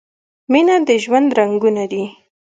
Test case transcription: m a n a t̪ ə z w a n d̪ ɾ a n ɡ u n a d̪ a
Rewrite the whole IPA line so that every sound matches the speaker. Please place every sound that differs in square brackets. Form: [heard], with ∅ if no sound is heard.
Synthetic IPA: m [i] n a [d̪] ə [ʒ] w a n d̪ ɾ a [ŋ] ɡ u n a d̪ [i]